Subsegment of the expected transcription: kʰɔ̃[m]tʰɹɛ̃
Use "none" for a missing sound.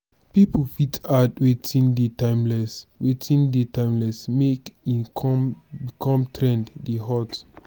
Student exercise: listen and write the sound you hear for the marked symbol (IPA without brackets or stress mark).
m